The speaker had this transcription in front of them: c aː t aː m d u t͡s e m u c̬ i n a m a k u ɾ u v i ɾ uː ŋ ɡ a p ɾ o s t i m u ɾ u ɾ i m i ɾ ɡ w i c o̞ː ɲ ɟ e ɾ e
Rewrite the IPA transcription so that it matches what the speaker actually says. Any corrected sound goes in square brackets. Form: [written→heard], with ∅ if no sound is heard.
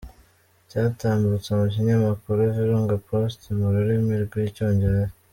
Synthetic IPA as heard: c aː t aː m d u t͡s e m u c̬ i [n→ɲ] a m a k u ɾ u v i ɾ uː ŋ ɡ a p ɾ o s t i m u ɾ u ɾ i m i ɾ ɡ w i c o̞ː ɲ ɟ e ɾ e